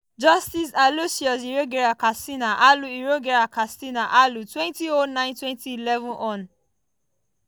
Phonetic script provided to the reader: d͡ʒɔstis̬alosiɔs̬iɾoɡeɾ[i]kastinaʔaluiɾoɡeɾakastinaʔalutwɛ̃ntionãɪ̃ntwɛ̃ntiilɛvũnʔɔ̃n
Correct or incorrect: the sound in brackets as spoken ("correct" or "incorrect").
incorrect